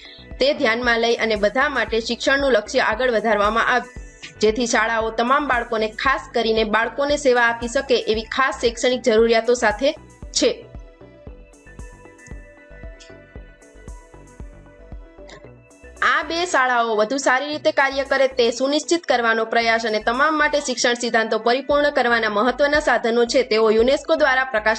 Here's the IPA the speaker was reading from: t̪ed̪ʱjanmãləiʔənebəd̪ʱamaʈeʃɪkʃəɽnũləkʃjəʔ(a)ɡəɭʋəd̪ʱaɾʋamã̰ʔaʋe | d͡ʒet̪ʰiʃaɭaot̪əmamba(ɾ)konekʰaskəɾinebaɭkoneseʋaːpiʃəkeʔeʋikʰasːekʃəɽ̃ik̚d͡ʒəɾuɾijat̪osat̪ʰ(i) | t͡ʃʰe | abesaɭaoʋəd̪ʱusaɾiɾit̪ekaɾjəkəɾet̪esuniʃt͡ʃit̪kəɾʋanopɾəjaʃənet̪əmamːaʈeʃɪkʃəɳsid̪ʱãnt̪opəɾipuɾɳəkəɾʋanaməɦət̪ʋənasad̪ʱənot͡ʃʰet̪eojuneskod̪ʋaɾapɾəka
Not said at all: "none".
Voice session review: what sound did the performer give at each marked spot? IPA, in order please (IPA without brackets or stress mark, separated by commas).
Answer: a, ɭ, e